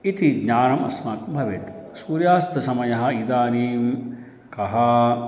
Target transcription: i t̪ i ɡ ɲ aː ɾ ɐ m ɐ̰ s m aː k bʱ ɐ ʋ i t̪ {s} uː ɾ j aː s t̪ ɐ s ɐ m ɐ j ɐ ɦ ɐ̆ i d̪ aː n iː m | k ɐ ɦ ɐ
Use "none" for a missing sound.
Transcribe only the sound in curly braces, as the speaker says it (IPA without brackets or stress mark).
s